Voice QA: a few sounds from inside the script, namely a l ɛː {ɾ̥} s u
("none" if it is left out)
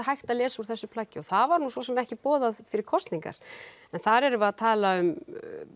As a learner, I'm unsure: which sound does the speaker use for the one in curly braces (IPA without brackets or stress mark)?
none